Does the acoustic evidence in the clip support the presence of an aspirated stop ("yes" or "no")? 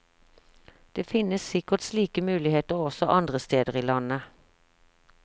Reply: no